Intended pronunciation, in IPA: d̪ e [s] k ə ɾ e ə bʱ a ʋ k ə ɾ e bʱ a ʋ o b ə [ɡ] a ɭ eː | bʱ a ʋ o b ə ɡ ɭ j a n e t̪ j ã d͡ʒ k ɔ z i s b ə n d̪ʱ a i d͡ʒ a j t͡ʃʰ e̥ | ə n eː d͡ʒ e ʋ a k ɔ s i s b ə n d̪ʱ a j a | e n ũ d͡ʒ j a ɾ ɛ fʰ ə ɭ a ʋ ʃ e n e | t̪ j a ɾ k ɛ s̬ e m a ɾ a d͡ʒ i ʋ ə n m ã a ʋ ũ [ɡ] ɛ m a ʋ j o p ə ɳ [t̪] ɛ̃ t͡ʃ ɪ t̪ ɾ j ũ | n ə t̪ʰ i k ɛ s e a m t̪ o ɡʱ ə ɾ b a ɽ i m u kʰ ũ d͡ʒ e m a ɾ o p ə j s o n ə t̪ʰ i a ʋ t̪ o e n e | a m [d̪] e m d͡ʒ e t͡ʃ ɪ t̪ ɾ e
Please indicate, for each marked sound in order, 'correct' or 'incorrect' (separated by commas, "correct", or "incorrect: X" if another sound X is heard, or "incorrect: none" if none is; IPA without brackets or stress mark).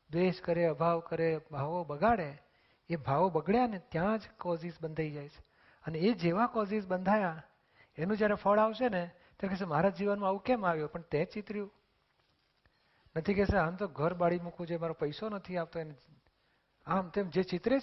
incorrect: ʃ, correct, incorrect: k, correct, incorrect: t̪